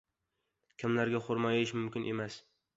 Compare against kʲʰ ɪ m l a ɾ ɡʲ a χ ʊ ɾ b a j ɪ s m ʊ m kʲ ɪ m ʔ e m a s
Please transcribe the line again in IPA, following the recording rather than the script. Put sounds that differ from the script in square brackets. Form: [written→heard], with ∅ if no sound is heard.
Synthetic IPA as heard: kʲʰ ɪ m l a ɾ ɡʲ a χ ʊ ɾ [b→m] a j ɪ [s→ʃ] m ʊ m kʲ ɪ [m→n] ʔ e m a s